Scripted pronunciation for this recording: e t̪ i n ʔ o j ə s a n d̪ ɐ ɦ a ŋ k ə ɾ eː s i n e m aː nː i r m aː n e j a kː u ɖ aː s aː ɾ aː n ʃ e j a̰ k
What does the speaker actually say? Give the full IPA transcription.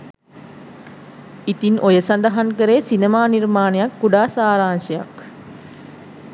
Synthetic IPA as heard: i t̪ i n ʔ o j ə s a n d̪ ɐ ɦ a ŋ k ə ɾ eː s i n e m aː n i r m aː n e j a kː u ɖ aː s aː ɾ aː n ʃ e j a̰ k